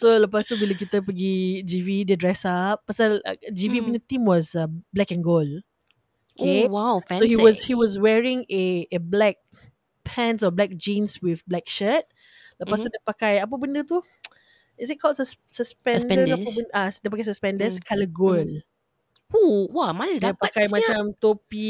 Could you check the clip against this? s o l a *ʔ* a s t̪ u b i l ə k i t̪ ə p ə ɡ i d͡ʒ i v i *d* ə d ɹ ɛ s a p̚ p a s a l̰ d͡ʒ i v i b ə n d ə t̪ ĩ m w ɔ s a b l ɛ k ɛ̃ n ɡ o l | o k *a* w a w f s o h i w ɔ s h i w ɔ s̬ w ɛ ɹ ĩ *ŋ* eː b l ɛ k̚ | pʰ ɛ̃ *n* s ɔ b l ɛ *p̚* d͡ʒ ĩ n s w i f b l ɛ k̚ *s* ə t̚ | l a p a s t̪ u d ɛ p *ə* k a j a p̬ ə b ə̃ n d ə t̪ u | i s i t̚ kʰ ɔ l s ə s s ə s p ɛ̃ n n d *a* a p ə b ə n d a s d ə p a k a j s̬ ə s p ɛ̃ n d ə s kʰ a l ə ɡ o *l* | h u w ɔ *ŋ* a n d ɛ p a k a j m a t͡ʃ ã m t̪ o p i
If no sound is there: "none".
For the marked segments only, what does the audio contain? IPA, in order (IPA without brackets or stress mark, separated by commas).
p, d, e, ŋ, n, k̚, ʃ, a, ə, l, m